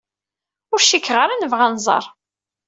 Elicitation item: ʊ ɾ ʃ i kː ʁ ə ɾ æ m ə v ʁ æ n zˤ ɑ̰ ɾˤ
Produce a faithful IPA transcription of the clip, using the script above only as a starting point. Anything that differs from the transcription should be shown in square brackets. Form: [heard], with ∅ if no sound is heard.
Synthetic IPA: ʊ ɾ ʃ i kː ʁ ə ɾ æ [n] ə v ʁ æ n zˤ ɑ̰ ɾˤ